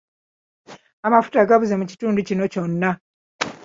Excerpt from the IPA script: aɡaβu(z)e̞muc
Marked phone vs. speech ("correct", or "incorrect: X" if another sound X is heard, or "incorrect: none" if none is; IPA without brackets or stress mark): correct